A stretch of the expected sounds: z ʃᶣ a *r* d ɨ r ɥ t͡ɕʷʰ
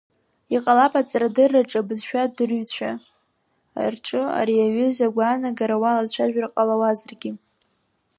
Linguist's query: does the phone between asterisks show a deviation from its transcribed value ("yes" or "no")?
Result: yes